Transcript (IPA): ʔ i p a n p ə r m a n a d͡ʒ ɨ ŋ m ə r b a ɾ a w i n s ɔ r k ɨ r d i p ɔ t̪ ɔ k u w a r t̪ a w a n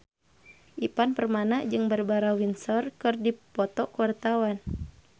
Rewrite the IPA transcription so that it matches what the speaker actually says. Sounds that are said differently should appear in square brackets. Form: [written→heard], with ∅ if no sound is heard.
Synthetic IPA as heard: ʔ i p a n p ə r m a n a d͡ʒ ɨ ŋ [m→b] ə r b a ɾ a w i n s ɔ r k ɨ r d i p ɔ t̪ ɔ k u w a r t̪ a w a n